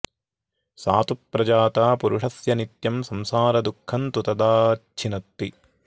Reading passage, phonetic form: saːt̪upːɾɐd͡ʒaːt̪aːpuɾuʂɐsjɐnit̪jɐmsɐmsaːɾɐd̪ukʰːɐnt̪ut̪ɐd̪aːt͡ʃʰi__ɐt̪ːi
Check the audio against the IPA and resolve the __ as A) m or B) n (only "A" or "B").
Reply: B